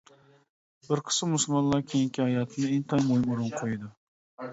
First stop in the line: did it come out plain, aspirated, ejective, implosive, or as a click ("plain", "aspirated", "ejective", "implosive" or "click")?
plain